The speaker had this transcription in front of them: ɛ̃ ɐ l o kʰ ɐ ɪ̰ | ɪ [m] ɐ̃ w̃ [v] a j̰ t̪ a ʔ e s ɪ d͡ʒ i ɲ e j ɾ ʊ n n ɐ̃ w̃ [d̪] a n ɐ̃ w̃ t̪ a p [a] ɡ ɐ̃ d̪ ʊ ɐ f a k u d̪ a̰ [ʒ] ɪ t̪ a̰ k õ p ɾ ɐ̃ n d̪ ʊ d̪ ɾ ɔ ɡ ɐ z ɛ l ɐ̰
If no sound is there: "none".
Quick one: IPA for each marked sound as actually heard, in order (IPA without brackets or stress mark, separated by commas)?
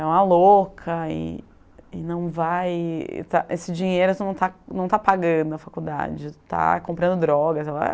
n, v, t̪, a, d͡ʒ